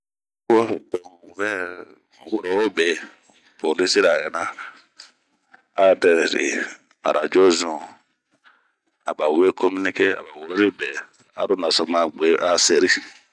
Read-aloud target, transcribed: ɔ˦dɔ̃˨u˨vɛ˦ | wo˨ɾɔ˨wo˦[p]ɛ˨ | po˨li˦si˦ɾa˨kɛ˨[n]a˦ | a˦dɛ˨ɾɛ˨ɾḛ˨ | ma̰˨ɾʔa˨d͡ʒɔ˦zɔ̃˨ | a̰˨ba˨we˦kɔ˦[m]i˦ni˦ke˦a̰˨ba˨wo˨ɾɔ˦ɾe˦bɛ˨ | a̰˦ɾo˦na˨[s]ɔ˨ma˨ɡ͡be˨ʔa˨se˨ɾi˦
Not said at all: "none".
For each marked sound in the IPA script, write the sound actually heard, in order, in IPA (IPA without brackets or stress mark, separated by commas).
b, n, m, s